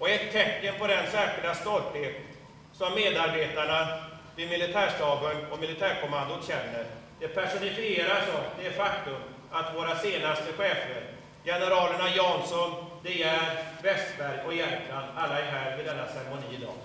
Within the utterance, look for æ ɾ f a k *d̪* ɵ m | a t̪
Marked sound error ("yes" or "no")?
yes